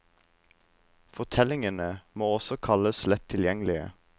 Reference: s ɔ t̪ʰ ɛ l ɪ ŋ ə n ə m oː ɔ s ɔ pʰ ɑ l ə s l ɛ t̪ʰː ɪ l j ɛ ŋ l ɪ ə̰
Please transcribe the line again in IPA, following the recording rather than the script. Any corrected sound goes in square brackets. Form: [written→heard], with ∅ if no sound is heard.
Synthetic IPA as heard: [s→f] ɔ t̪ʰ ɛ l ɪ ŋ ə n ə m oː ɔ s ɔ [pʰ→kʰ] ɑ l ə s l ɛ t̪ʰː ɪ l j ɛ ŋ l ɪ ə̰